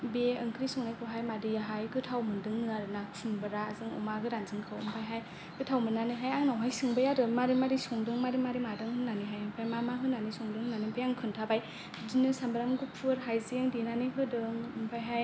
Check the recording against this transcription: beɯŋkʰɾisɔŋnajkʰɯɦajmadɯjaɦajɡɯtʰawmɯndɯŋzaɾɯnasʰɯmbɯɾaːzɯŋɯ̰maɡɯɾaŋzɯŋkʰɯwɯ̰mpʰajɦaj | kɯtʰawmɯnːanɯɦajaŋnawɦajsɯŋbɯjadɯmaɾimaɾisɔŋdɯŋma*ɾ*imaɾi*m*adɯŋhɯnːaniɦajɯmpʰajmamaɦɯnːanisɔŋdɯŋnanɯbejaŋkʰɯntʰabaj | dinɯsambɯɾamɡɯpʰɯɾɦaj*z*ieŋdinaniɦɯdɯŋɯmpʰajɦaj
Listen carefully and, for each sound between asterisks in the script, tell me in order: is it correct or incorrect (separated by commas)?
correct, correct, correct